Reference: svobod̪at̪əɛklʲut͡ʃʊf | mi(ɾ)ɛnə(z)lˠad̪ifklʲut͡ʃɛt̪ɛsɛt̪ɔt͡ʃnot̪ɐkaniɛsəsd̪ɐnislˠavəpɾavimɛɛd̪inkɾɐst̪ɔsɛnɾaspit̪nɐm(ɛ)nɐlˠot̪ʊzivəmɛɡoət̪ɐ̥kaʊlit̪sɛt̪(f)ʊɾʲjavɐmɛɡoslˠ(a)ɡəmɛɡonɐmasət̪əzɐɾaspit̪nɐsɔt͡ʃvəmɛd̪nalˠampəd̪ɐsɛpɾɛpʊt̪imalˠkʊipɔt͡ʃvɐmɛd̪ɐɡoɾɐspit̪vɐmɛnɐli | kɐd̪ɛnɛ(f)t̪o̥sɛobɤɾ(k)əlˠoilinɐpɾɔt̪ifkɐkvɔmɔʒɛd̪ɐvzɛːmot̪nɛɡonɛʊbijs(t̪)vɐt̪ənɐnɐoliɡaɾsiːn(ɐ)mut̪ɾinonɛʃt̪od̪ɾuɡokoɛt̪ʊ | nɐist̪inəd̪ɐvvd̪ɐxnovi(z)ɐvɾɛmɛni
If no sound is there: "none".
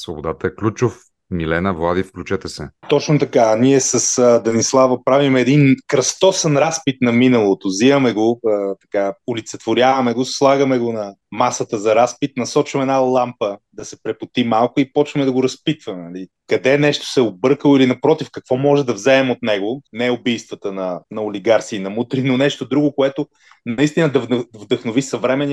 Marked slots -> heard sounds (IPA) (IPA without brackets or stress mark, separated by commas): l, v, i, v, a, ʃ, k, t̪, ɐ, s